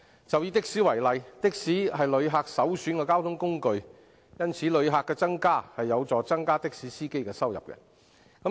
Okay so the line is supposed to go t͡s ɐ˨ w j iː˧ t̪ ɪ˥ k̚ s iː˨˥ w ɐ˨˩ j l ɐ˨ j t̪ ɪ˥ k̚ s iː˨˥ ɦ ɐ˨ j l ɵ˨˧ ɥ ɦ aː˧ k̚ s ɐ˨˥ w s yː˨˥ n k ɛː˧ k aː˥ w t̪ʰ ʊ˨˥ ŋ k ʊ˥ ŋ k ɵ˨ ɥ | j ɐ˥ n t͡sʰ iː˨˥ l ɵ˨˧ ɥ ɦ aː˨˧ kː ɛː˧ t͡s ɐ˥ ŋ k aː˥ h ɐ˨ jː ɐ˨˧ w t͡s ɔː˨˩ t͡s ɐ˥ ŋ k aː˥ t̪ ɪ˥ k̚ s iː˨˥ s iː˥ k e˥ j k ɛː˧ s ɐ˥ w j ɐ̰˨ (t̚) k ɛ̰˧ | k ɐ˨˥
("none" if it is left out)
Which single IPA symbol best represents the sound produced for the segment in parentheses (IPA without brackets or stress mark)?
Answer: p̚